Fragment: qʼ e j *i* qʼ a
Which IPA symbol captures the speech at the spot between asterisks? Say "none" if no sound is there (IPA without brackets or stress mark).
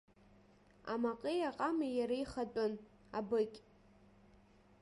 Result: a